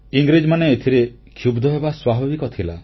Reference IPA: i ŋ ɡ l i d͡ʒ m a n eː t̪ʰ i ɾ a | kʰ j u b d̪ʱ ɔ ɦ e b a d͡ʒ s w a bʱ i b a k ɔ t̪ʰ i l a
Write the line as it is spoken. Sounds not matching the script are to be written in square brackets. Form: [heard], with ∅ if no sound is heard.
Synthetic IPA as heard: i ŋ ɡ [ɾ] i d͡ʒ m a n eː t̪ʰ i ɾ [e] | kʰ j u b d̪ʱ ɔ ɦ e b a [∅] s w a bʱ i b [i] k ɔ t̪ʰ i l a